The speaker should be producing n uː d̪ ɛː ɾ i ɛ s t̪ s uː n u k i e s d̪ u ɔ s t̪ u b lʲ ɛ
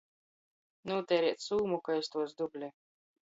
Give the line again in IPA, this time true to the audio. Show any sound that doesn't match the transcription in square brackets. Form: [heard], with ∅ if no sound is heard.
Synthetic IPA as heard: n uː [t̪] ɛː ɾ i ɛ [∅] t̪ s uː [m] u k [a] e s [t̪] u ɔ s [d̪] u b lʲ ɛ